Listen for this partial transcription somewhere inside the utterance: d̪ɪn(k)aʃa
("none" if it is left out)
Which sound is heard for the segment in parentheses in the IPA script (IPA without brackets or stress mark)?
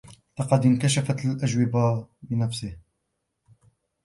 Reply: k